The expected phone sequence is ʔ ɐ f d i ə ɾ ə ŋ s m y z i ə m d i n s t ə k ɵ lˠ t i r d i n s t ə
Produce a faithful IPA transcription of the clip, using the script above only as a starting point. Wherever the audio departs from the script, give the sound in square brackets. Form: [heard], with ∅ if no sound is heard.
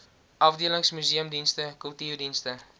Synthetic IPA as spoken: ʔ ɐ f d i ə [l] ə ŋ s m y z i ə m d i n s t ə k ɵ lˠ t i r d i n s t ə